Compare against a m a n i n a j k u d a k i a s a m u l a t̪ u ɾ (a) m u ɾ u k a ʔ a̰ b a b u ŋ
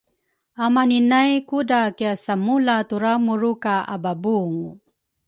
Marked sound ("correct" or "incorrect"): correct